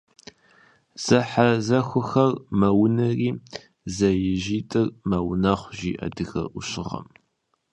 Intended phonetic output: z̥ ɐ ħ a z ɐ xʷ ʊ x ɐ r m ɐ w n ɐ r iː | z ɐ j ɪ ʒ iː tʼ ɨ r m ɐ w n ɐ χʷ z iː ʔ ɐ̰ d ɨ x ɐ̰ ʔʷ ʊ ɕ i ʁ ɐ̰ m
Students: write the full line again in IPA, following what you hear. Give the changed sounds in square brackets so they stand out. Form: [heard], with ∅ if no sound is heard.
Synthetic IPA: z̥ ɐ ħ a z ɐ xʷ ʊ x ɐ r m ɐ w n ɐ r iː | z ɐ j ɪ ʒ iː tʼ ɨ r m ɐ w n ɐ χʷ [ʒ] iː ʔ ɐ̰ d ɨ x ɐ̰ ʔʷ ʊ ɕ [ɪ] ʁ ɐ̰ m